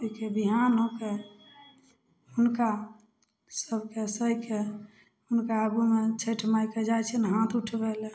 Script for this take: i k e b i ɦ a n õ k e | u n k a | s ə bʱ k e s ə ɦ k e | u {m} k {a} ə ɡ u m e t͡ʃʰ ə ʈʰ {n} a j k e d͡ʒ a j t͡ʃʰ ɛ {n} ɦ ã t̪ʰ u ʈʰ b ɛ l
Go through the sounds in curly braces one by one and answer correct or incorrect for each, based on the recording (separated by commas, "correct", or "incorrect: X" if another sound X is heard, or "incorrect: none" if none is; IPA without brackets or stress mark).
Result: incorrect: n, correct, incorrect: m, correct